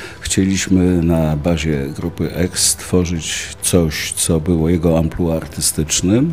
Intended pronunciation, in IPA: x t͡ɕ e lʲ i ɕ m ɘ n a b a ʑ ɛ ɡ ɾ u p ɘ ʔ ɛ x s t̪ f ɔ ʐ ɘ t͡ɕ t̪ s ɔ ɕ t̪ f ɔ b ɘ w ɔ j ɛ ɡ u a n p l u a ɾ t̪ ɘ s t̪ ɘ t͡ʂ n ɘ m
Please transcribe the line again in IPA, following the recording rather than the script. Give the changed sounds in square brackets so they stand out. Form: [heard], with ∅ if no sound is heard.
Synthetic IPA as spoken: x t͡ɕ e lʲ i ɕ m ɘ n a b a ʑ ɛ ɡ ɾ u p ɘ ʔ ɛ [k] s t̪ f ɔ ʐ ɘ t͡ɕ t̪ s ɔ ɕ t̪ [s] ɔ b ɘ w ɔ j ɛ ɡ [ɔ] a [m] p l u a ɾ t̪ ɘ s t̪ ɘ t͡ʂ n ɘ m